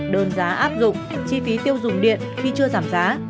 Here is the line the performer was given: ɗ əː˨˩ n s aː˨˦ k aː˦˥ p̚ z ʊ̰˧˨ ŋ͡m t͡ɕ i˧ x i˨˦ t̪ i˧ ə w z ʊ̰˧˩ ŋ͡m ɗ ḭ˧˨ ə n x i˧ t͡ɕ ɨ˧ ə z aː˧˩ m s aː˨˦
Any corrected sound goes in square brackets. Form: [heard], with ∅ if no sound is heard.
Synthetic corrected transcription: ɗ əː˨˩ n [z] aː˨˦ [ʔ] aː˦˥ p̚ z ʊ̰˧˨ ŋ͡m t͡ɕ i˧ [f] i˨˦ t̪ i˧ ə w z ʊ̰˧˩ ŋ͡m ɗ ḭ˧˨ ə n x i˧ t͡ɕ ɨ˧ ə z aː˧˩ m [z] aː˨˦